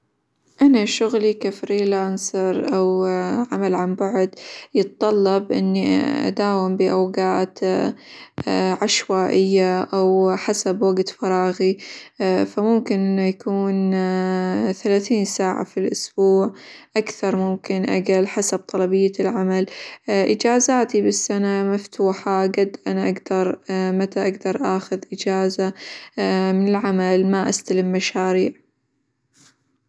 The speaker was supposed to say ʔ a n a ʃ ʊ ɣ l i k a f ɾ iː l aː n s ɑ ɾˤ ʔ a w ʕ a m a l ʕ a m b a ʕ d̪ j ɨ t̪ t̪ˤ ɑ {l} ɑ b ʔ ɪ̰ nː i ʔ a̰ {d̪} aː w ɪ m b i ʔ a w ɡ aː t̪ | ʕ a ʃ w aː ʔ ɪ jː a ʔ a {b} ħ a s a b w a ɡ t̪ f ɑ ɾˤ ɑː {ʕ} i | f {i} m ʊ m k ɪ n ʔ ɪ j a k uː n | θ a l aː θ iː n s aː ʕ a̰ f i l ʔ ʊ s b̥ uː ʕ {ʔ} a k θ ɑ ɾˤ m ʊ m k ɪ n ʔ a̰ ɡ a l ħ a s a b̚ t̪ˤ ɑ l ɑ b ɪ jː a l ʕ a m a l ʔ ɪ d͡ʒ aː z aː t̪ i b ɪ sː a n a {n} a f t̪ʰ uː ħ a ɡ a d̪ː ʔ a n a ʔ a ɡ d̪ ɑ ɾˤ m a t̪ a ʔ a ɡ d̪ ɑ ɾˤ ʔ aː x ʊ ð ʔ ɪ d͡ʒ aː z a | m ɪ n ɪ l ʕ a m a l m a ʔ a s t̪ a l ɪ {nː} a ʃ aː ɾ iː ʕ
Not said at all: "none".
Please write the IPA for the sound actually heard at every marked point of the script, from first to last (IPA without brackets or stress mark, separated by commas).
lː, d̪, w, ɣ, a, ʔ, m, mː